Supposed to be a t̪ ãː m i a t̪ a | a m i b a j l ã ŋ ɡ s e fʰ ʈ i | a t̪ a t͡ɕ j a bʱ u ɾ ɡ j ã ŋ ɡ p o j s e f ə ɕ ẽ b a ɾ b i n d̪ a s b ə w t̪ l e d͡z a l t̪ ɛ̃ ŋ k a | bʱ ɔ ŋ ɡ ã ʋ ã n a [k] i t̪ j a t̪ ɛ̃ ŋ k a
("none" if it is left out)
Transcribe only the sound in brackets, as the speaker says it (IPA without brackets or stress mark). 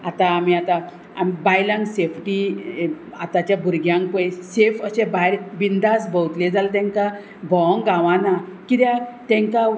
k